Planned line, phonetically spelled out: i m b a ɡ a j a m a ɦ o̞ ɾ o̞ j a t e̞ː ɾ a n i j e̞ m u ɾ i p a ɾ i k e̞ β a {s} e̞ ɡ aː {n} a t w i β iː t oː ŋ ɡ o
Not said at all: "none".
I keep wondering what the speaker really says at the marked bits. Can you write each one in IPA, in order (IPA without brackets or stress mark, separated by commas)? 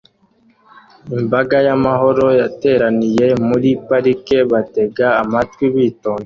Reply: t, m